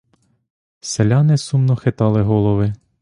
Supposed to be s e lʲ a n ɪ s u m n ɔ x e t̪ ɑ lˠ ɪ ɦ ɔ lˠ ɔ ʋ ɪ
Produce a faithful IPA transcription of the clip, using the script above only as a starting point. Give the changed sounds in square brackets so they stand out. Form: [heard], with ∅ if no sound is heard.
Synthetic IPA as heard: s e lʲ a n ɪ s u m n ɔ x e t̪ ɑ lˠ ɪ ɦ ɔ lˠ ɔ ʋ ɪ